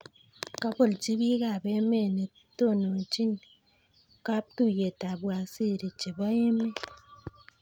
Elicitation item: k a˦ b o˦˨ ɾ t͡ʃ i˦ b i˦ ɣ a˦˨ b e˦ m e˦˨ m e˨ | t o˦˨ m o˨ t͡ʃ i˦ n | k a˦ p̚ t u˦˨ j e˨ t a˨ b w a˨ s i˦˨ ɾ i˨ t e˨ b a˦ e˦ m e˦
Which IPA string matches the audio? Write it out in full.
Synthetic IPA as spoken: k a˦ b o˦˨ l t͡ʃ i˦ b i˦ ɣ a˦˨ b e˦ m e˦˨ n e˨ | t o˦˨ n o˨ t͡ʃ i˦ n | k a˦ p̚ t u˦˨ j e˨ t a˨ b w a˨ s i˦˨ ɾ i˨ t͡ʃ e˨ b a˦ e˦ m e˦